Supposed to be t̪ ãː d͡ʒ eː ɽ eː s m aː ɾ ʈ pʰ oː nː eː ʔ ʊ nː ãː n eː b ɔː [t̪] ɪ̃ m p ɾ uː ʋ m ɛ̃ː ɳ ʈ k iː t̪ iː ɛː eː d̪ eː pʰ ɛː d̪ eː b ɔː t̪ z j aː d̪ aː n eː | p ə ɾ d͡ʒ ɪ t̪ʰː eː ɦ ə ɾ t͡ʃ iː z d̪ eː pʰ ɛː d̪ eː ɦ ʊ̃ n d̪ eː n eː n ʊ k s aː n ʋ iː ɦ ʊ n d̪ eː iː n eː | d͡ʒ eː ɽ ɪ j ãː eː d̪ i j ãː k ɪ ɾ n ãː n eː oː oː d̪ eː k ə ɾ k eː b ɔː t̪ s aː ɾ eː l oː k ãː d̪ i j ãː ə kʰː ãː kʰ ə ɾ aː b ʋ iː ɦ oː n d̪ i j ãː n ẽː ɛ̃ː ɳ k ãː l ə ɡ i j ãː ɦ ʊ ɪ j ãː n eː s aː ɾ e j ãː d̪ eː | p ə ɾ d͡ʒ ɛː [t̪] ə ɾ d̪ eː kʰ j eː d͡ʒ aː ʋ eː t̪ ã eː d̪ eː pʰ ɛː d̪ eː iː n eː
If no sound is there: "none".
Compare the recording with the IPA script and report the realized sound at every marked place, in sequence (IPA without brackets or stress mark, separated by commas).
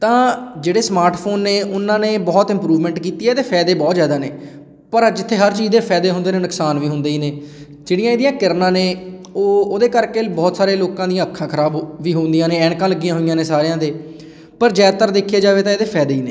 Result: t̪, t̪